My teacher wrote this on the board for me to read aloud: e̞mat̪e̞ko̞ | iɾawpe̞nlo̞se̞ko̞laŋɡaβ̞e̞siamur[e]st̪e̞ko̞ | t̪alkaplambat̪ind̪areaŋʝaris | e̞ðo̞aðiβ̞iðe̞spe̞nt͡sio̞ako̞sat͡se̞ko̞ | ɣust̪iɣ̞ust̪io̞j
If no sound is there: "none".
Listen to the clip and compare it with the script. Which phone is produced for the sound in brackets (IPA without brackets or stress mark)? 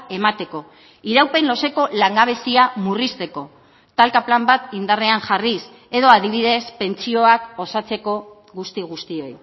i